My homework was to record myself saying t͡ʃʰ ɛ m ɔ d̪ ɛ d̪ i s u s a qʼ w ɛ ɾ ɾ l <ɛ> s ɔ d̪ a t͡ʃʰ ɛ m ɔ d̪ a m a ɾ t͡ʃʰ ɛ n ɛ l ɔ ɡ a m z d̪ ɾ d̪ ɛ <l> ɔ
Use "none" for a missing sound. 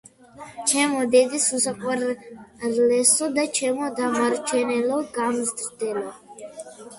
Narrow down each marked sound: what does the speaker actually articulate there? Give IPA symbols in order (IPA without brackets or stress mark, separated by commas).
ɛ, l